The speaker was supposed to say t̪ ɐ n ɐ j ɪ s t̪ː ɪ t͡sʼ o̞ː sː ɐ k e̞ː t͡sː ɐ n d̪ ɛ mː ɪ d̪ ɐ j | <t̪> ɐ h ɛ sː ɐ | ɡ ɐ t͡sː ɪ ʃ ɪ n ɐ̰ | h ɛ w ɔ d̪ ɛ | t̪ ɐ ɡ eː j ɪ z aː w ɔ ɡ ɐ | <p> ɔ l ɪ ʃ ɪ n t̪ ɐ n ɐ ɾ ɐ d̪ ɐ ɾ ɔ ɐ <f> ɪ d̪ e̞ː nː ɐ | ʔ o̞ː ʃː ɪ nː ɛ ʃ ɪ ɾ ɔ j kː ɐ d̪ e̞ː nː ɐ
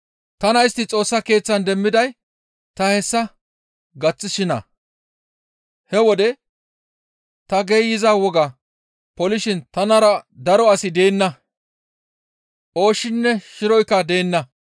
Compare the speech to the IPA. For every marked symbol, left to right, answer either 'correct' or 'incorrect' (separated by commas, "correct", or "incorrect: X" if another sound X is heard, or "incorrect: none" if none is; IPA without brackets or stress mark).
correct, correct, incorrect: s